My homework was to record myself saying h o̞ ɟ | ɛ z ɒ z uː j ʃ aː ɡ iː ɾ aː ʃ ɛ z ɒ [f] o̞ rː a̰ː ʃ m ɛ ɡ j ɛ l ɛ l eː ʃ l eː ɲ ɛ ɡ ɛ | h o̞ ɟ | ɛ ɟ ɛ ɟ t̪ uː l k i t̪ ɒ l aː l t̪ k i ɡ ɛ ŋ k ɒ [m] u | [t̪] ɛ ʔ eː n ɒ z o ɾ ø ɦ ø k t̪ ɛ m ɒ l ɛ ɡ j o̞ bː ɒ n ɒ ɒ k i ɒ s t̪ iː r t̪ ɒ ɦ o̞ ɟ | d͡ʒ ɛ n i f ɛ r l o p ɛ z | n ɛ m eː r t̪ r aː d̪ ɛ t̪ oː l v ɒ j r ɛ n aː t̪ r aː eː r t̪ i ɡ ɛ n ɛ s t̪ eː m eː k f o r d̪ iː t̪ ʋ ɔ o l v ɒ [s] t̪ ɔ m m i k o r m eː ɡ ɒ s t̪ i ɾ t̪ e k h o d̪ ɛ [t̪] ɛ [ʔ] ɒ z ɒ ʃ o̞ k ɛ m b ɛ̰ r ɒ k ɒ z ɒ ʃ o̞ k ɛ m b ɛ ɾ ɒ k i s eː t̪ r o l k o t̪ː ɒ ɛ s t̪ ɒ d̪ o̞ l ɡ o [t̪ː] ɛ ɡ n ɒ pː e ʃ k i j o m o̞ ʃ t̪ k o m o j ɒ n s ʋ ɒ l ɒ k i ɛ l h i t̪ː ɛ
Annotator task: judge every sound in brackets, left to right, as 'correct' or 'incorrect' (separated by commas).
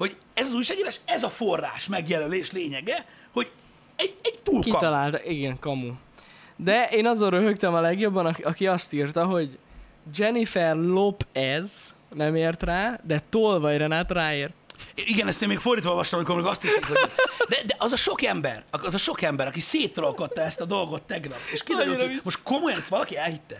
correct, correct, incorrect, incorrect, incorrect, correct, correct